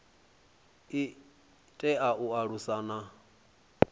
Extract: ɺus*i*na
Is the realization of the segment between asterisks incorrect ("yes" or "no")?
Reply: yes